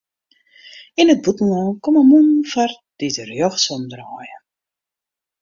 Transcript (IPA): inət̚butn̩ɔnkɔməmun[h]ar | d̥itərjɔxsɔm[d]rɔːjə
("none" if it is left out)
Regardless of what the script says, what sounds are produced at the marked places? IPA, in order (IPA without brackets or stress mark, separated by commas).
f, d